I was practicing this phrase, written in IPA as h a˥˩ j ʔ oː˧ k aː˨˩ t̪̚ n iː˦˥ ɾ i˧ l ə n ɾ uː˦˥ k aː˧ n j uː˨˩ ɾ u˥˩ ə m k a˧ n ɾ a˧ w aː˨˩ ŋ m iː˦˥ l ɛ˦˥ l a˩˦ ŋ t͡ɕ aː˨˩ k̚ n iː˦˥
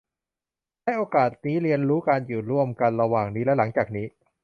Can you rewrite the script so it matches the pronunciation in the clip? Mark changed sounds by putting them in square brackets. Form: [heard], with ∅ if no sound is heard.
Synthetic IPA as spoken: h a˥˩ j ʔ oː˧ k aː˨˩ t̪̚ n iː˦˥ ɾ i˧ [∅] ə n ɾ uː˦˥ k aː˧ n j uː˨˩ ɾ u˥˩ ə m k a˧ n ɾ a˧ w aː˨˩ ŋ [n] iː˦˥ l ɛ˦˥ l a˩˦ ŋ t͡ɕ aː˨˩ k̚ n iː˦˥

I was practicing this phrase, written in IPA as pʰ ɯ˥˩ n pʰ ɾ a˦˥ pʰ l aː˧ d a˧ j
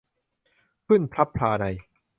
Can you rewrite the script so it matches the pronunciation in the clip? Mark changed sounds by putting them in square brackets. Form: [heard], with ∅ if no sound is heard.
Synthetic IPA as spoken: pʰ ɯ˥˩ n pʰ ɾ a˦˥ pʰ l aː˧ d a˧ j

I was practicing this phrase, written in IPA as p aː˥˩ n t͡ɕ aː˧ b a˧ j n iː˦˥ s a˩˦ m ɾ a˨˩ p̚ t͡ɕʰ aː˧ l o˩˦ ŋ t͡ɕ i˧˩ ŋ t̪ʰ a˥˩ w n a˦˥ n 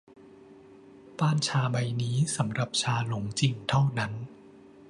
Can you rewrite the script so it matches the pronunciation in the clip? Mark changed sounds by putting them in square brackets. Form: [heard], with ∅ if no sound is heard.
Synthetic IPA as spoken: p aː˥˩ n [t͡ɕʰ] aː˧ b a˧ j n iː˦˥ s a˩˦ m ɾ a˨˩ p̚ t͡ɕʰ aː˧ l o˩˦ ŋ t͡ɕ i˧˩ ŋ t̪ʰ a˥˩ w n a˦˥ n

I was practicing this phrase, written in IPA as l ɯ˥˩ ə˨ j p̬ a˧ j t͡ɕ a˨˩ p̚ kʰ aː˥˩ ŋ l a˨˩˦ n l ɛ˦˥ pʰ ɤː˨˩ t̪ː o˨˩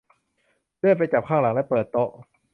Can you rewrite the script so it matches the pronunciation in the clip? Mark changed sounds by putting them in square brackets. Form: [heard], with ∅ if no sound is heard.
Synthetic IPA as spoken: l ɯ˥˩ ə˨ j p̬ a˧ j t͡ɕ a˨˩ p̚ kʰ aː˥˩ ŋ l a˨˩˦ [ŋ] l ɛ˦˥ [p] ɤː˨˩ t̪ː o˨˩

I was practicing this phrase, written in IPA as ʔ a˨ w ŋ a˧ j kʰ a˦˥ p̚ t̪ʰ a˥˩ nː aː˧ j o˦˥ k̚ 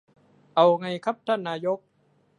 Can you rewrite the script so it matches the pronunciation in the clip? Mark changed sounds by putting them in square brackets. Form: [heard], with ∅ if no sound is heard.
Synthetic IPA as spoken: ʔ a˨ w ŋ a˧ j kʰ a˦˥ p̚ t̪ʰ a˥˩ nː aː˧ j o˦˥ k̚

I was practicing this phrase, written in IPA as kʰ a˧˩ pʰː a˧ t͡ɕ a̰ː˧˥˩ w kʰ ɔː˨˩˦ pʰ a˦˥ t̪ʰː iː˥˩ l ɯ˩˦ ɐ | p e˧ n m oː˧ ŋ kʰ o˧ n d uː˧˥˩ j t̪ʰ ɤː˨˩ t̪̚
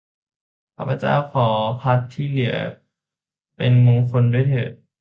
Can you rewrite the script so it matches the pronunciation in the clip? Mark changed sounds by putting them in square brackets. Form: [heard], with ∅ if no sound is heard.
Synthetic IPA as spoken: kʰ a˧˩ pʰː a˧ t͡ɕ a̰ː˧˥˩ w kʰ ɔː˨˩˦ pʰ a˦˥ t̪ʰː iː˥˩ l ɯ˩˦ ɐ | p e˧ n m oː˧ ŋ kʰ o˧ n d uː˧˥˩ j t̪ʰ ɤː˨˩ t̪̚

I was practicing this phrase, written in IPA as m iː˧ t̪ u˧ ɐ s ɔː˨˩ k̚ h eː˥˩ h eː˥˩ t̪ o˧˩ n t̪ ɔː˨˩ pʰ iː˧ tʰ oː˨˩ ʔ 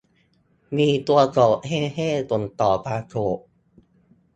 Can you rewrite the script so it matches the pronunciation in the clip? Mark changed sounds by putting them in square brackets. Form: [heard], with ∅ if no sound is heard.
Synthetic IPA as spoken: m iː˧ t̪ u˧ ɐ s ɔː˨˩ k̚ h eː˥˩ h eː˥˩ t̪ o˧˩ n t̪ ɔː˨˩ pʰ [aː˧] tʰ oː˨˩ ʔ

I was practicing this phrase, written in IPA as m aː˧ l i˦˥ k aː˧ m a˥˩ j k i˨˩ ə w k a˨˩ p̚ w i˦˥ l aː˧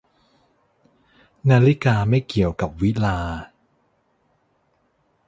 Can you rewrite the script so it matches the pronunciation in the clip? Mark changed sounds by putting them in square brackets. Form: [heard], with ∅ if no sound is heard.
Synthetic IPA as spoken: [n] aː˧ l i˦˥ k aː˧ m a˥˩ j k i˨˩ ə w k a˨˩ p̚ w i˦˥ l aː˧

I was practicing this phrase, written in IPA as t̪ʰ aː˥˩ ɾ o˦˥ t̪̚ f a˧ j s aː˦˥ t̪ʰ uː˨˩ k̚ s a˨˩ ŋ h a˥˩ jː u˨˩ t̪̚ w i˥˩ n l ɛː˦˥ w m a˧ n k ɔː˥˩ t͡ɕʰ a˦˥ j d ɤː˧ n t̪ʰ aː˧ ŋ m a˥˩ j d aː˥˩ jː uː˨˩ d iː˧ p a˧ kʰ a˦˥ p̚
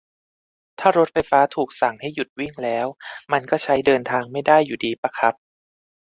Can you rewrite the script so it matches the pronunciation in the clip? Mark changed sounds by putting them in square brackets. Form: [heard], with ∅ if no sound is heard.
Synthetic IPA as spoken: t̪ʰ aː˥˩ ɾ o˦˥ t̪̚ f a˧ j [f] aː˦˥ t̪ʰ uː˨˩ k̚ s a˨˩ ŋ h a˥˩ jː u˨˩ t̪̚ w i˥˩ [ŋ] l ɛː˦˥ w m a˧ n k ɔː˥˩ t͡ɕʰ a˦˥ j d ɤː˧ n t̪ʰ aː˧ ŋ m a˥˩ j d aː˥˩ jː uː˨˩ d iː˧ p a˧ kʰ a˦˥ p̚

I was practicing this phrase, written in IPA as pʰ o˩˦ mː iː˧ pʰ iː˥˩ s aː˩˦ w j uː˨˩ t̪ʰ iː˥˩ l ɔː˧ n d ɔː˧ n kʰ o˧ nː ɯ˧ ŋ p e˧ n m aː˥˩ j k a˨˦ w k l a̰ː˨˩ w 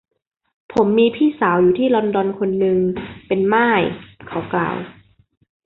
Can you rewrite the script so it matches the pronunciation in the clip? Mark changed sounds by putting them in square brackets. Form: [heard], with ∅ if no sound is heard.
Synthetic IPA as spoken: pʰ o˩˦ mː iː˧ pʰ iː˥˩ s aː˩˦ w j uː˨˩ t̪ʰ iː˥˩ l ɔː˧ n d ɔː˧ n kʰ o˧ nː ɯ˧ ŋ p e˧ n m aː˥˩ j [kʰ] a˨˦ w k l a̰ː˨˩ w

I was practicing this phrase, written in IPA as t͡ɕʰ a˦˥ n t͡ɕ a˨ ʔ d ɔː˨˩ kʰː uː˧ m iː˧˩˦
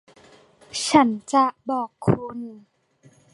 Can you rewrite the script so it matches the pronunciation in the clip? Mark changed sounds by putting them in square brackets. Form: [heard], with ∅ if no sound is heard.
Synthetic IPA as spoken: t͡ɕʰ a˦˥ n t͡ɕ a˨ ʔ [b] ɔː˨˩ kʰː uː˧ [n] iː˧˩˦

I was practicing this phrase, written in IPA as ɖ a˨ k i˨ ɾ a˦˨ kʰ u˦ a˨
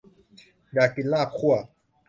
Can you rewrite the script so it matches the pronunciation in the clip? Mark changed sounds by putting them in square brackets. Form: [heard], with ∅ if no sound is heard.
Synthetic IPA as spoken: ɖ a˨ k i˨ [l] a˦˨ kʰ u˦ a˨

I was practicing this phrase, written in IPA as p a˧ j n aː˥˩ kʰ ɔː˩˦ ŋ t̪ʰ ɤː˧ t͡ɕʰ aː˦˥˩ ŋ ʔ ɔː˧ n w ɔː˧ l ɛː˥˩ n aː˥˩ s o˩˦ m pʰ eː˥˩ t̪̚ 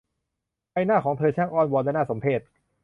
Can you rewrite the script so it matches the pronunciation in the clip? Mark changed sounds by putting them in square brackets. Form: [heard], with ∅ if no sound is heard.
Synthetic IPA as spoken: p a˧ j n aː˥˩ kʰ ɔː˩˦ ŋ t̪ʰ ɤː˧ t͡ɕʰ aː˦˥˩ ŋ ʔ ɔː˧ n w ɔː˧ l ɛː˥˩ n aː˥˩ s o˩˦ m pʰ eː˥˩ t̪̚

